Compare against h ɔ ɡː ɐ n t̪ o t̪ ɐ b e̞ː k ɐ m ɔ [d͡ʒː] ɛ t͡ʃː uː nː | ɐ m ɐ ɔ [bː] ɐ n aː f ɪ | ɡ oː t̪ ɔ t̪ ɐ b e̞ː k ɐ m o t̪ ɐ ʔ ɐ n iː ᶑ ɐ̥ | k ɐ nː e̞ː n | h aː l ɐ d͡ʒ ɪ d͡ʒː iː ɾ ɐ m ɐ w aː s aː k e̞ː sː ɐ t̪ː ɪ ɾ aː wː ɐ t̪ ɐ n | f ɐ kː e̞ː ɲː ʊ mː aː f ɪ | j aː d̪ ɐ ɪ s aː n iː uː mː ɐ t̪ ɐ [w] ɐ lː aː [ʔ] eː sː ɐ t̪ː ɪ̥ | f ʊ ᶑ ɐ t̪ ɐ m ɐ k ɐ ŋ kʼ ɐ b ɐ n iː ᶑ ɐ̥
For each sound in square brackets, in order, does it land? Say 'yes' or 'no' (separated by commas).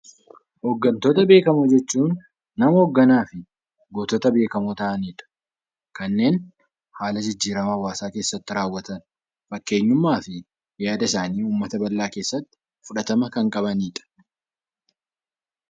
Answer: no, no, no, no